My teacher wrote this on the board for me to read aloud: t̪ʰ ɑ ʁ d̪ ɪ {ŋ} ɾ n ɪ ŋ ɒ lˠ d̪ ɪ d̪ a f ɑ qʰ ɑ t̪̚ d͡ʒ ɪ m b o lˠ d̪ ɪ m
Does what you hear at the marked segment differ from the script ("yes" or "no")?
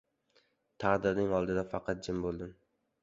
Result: yes